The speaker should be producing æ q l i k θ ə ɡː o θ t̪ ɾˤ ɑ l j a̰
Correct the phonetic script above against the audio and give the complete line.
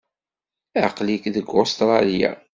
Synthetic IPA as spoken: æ q l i k ð ə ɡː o s t̪ ɾˤ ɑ l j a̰